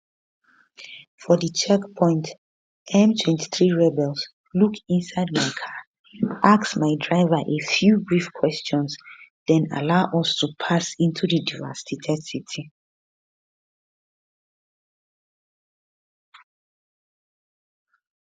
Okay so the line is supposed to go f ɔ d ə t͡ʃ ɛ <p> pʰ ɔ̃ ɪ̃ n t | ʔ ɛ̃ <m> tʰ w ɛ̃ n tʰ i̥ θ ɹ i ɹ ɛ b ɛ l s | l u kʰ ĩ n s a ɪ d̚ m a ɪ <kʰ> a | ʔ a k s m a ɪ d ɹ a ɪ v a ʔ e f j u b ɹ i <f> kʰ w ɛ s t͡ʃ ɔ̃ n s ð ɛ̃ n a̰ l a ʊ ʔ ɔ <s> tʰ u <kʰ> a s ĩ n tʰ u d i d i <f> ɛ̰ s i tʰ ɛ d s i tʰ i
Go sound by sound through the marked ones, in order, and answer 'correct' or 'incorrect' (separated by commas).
incorrect, correct, correct, correct, correct, incorrect, incorrect